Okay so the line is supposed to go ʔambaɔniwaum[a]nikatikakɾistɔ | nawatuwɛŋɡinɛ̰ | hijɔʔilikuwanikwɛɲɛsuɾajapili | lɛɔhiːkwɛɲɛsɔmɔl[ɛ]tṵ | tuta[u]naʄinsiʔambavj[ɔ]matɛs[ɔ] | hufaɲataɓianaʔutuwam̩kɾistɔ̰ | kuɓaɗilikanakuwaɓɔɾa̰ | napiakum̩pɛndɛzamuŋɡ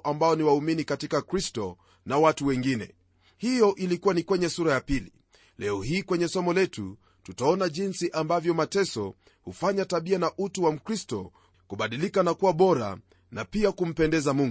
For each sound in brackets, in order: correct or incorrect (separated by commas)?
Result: incorrect, correct, incorrect, correct, correct